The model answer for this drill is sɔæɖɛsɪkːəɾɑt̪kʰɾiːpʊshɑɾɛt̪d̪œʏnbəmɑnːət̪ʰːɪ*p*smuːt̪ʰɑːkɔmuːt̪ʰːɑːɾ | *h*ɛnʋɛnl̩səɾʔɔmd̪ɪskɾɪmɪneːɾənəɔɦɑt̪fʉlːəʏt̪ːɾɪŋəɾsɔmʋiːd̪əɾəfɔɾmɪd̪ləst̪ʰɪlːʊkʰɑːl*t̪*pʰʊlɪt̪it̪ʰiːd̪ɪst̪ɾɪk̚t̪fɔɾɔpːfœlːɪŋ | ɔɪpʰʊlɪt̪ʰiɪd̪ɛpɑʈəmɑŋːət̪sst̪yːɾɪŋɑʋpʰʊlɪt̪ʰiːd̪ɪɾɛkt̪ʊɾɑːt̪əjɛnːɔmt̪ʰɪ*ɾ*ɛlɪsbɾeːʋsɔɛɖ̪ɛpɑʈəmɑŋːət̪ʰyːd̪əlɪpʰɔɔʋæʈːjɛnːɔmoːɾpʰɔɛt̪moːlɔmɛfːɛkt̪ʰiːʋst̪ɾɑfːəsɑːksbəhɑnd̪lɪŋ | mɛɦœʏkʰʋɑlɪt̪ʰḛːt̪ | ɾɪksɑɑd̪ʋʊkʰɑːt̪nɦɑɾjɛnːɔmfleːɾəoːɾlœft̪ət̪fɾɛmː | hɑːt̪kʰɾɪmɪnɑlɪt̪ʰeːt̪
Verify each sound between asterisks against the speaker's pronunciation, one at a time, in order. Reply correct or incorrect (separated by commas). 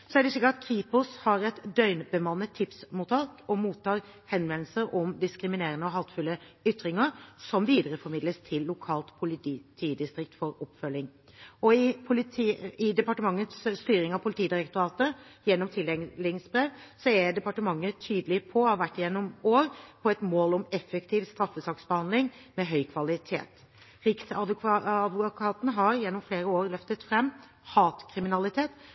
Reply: correct, correct, correct, incorrect